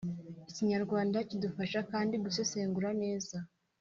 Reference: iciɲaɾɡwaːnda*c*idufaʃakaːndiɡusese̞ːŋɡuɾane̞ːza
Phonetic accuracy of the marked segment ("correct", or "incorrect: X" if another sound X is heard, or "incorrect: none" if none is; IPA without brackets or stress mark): correct